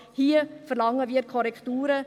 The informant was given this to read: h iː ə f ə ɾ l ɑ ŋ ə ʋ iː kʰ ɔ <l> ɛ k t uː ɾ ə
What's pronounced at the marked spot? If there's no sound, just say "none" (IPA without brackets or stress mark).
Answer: ɾ